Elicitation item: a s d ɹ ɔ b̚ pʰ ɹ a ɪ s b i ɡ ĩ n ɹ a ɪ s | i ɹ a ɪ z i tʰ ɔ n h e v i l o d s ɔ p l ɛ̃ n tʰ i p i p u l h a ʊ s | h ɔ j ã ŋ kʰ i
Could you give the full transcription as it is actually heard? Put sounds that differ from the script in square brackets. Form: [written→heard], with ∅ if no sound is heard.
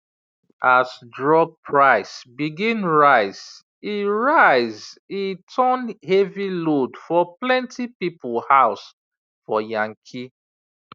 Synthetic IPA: a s d ɹ ɔ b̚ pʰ ɹ a ɪ s b i ɡ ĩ n ɹ a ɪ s | i ɹ a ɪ z i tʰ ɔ n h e v i l o d [s→f] ɔ p l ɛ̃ n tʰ i p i p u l h a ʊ s | [h→f] ɔ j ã ŋ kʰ i